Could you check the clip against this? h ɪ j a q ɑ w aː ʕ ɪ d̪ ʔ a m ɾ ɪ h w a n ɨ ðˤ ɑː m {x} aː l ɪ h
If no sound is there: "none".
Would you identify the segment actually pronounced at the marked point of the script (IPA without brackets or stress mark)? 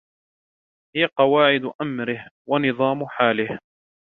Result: ħ